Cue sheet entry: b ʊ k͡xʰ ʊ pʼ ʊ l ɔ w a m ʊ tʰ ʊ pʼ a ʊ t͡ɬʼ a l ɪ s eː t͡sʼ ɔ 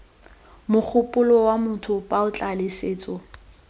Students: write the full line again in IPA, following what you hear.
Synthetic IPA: m ʊ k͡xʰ ʊ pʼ ʊ l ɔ w a m ʊ tʰ ʊ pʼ a ʊ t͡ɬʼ a l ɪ s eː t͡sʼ ɔ